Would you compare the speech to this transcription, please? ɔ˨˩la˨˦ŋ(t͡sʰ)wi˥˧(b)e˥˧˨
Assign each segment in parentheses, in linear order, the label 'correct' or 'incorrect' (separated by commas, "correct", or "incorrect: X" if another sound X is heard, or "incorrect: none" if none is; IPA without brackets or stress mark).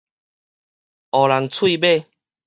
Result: correct, correct